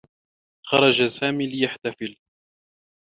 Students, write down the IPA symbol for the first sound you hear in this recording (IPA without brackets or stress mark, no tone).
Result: x